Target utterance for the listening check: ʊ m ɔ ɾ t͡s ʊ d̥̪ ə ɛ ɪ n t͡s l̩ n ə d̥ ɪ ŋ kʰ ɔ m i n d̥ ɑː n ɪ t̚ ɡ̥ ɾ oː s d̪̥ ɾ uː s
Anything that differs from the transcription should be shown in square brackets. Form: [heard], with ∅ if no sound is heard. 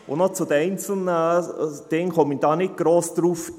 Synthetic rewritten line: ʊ [n] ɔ [∅] t͡s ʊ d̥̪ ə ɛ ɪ n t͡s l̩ n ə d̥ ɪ ŋ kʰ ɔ m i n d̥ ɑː n ɪ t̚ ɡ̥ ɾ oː s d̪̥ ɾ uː [f]